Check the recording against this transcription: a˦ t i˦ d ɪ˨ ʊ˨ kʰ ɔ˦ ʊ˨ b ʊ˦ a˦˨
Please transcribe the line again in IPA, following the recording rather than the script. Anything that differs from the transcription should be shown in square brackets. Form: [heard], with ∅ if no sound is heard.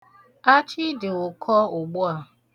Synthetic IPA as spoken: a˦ [t͡ʃ] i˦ d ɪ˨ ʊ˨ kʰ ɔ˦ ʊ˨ [ɡ͡b] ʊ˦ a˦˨